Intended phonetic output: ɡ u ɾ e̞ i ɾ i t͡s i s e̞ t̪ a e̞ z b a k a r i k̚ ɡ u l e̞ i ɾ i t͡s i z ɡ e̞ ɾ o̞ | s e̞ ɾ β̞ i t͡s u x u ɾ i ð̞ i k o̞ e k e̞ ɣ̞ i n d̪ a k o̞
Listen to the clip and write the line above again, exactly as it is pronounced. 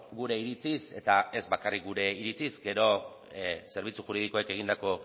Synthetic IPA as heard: ɡ u ɾ e̞ i ɾ i t͡s i s e̞ t̪ a e̞ z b a k a r i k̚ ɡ u ɾ e̞ i ɾ i t͡s i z ɡ e̞ ɾ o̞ | s e̞ ɾ β̞ i t͡s u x u ɾ i ð̞ i k o̞ e k e̞ ɣ̞ i n d̪ a k o̞